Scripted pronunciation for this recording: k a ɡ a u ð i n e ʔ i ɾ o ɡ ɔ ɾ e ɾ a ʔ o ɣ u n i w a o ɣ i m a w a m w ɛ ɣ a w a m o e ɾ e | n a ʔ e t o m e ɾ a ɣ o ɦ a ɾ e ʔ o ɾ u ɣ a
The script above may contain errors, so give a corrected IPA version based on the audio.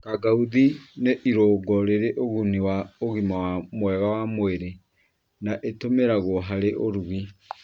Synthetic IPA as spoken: k a ɡ a u ð i n e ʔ i ɾ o ɡ ɔ ɾ e ɾ e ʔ o ɣ u n i w a o ɣ i m a w a m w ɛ ɣ a w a m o e ɾ e | n a ʔ e t o m e ɾ a ɣ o ɦ a ɾ e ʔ o ɾ u ɣ i